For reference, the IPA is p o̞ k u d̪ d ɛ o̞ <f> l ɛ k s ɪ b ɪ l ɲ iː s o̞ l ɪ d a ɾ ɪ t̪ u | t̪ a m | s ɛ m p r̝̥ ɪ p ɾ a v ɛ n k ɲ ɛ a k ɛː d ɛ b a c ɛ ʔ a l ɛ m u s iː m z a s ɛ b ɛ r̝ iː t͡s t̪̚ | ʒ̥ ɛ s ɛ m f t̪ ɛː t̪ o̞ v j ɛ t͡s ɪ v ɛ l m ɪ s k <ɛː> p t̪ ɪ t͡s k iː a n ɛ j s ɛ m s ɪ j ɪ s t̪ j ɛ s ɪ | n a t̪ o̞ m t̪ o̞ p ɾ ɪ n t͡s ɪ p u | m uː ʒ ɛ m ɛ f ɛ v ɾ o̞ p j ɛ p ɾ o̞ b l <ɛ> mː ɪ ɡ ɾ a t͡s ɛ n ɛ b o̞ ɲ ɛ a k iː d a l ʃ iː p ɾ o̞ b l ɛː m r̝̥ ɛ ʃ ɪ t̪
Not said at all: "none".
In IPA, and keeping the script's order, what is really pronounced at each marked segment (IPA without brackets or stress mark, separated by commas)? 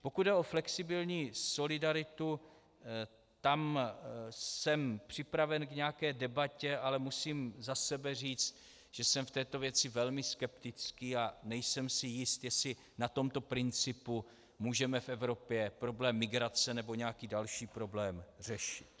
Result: f, ɛ, ɛː